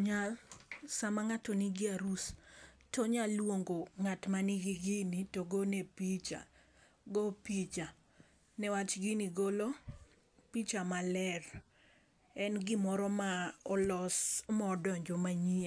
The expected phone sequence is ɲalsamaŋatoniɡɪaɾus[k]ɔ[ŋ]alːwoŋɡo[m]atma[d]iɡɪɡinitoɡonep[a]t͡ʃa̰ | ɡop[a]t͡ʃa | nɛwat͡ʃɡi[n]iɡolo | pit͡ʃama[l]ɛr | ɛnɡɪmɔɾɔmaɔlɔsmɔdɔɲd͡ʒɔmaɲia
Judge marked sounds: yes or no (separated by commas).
no, no, no, no, no, no, yes, yes